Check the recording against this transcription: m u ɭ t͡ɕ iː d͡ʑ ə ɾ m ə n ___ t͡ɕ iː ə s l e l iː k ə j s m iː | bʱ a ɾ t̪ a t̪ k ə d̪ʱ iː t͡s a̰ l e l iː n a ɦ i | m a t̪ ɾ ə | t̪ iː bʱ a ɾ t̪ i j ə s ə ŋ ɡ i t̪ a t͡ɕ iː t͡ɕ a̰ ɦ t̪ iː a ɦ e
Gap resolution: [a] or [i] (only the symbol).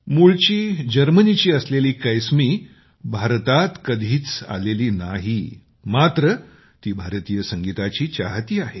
i